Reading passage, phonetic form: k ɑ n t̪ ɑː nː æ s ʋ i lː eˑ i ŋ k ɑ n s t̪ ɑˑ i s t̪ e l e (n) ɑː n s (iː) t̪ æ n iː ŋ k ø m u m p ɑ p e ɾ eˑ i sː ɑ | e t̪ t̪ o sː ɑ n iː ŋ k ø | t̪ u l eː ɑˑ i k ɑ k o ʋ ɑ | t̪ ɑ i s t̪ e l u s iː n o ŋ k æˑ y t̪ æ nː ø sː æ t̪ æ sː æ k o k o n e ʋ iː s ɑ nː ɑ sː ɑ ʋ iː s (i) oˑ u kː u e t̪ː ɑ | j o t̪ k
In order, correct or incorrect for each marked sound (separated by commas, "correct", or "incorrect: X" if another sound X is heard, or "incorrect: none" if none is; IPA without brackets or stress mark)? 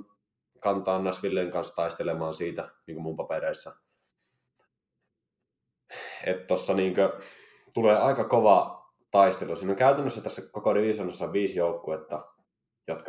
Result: incorrect: m, correct, incorrect: j